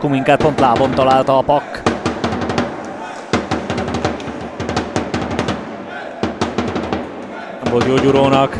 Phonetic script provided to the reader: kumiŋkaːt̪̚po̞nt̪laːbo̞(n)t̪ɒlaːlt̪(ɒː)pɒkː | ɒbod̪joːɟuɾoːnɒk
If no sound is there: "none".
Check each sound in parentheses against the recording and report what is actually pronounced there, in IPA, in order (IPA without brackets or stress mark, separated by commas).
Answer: n, ɒː